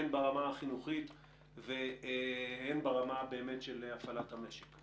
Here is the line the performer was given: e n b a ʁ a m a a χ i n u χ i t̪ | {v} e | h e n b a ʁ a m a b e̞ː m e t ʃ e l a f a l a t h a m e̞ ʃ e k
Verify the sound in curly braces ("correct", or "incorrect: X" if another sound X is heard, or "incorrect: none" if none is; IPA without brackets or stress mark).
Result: correct